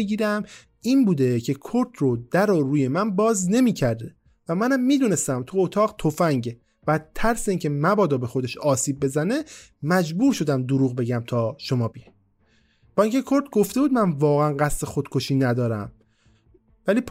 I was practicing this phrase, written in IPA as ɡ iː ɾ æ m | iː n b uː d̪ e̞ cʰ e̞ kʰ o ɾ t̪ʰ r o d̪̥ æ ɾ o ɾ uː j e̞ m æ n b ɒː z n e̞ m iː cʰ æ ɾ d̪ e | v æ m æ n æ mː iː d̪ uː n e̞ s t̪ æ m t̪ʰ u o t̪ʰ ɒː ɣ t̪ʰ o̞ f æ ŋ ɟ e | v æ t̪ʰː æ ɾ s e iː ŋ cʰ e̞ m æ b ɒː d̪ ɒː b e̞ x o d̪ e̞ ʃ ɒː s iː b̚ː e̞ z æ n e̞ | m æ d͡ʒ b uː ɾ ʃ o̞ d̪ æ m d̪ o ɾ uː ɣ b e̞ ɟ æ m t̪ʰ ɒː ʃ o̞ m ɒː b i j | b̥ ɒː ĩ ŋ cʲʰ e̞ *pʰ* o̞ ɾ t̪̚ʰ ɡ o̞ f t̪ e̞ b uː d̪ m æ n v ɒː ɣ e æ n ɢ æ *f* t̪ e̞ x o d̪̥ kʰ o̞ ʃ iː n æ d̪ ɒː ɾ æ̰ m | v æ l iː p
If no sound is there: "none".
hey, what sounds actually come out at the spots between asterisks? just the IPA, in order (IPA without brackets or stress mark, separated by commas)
kʰ, s